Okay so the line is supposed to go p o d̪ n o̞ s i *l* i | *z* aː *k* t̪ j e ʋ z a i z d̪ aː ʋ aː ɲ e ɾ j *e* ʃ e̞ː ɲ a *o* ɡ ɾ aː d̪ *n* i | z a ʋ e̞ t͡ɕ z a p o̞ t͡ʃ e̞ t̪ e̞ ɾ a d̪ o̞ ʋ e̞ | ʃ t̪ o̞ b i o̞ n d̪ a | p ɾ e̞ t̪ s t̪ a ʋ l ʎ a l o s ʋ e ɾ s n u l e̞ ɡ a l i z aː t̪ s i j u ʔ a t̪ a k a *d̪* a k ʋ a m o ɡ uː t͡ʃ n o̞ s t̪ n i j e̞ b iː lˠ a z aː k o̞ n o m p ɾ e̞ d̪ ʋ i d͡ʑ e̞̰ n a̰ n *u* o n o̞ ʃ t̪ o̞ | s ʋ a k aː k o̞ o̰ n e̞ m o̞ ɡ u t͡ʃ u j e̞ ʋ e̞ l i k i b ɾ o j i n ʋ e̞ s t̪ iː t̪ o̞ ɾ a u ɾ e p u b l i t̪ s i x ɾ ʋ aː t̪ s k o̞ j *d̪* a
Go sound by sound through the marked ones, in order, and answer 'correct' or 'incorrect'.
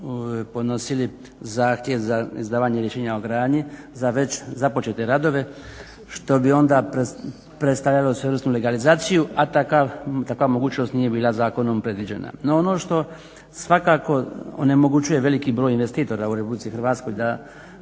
correct, correct, incorrect: x, correct, correct, incorrect: ɲ, incorrect: t̪, incorrect: o, correct

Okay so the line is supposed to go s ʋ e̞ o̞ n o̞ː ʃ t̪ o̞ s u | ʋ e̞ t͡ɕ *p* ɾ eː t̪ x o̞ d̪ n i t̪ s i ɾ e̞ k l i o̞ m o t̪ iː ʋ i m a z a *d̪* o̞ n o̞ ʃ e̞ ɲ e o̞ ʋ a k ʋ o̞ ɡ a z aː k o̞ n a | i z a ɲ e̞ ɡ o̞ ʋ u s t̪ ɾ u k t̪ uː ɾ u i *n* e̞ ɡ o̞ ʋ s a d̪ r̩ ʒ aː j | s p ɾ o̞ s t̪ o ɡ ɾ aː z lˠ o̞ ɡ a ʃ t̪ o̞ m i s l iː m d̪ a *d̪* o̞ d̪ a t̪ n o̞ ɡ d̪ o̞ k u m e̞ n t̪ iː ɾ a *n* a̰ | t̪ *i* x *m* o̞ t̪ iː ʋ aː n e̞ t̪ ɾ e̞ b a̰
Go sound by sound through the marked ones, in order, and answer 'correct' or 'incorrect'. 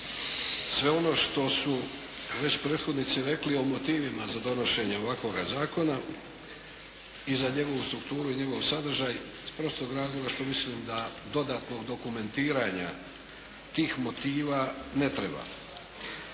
correct, correct, incorrect: ɲ, correct, incorrect: ɲ, incorrect: iː, correct

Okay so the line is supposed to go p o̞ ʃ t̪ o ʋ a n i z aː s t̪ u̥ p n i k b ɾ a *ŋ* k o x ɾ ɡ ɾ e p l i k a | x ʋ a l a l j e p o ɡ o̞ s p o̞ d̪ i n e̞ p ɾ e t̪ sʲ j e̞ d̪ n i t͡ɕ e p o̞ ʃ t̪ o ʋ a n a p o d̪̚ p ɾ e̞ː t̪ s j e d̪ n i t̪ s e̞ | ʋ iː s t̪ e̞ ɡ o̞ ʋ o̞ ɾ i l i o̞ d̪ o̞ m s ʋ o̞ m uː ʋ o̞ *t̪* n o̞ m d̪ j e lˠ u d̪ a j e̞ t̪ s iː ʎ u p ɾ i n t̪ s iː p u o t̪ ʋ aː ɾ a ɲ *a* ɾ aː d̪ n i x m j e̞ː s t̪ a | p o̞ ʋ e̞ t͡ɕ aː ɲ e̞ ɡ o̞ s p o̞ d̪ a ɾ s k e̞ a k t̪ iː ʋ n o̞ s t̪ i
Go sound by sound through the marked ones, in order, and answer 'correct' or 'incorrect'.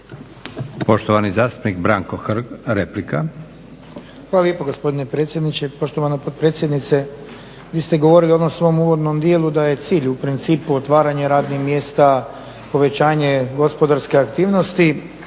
correct, incorrect: d̪, incorrect: e

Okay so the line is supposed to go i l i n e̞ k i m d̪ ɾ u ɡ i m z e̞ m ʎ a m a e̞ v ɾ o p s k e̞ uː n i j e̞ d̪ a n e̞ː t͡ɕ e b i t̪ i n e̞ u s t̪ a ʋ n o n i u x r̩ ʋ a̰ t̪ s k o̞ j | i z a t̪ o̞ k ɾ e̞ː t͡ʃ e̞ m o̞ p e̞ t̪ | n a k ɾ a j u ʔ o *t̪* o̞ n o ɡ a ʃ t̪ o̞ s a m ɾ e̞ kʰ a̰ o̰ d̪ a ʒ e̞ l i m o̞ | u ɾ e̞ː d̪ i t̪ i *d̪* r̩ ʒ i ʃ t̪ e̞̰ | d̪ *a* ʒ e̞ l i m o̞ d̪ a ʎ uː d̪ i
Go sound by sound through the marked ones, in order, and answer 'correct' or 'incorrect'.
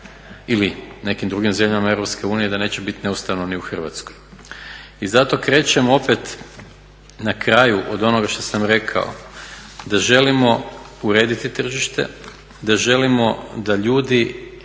incorrect: d̪, incorrect: t̪, correct

